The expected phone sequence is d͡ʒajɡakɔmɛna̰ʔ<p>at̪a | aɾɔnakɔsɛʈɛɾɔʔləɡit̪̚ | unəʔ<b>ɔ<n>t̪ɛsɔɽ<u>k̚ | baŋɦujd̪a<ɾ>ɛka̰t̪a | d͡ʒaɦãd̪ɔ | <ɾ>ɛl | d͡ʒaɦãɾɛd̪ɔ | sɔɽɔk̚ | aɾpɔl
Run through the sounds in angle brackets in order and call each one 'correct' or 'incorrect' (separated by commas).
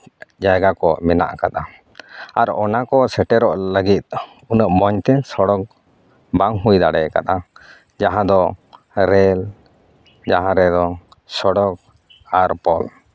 incorrect, incorrect, incorrect, incorrect, incorrect, correct